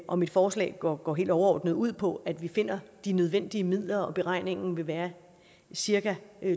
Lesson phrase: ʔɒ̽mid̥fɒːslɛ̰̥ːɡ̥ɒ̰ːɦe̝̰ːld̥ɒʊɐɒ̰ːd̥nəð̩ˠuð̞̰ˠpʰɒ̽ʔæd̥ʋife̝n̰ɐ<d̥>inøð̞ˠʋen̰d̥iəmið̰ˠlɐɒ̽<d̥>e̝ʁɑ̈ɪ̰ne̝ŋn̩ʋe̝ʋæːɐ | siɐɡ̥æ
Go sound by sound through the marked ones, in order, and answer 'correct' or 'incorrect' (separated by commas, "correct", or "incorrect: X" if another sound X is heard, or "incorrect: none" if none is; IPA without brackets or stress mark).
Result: correct, incorrect: b̥